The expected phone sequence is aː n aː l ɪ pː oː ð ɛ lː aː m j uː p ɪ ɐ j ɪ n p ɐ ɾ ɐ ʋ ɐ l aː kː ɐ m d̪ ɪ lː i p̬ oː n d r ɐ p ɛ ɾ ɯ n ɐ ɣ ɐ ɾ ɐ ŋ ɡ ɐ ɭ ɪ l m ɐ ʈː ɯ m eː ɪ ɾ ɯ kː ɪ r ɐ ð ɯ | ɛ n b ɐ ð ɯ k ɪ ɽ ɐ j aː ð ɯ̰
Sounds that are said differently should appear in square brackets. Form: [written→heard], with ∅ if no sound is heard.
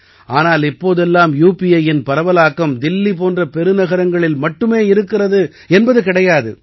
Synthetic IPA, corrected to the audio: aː n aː l ɪ pː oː ð ɛ lː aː m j uː p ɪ ɐ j ɪ n p ɐ ɾ ɐ ʋ ɐ l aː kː ɐ m d̪ ɪ lː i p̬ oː n d r ɐ p ɛ ɾ ɯ n ɐ ɣ ɐ ɾ ɐ ŋ ɡ ɐ ɭ ɪ l m ɐ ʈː ɯ m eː ɪ ɾ ɯ kː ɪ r ɐ ð ɯ | ɛ n b ɐ ð ɯ k ɪ ɽ ɐ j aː ð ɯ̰